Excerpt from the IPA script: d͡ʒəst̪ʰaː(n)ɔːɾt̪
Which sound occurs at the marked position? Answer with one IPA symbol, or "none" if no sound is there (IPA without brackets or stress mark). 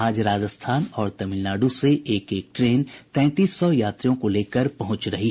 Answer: n